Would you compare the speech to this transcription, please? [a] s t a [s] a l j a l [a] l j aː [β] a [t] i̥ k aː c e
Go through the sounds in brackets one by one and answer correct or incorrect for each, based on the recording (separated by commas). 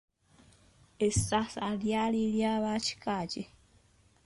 incorrect, correct, incorrect, correct, incorrect